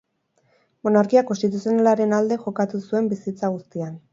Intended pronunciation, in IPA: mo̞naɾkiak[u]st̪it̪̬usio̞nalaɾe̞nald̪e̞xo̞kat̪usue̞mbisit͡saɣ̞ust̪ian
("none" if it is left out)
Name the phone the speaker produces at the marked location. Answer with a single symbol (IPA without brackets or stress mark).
o